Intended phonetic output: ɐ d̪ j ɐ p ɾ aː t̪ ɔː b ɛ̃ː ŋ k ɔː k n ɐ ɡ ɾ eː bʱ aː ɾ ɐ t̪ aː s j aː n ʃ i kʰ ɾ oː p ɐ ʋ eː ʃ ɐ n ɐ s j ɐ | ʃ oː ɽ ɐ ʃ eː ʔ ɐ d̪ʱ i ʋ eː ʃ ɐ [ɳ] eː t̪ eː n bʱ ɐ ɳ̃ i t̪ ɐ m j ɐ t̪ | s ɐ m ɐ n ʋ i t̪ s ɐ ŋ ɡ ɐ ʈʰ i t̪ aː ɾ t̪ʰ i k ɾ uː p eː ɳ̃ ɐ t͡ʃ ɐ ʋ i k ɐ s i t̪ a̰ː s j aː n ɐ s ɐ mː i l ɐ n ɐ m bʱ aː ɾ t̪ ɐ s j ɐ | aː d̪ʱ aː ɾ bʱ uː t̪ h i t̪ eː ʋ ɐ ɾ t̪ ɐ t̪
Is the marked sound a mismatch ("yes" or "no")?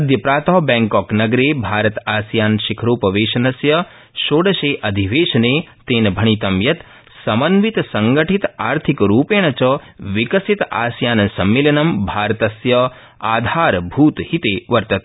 yes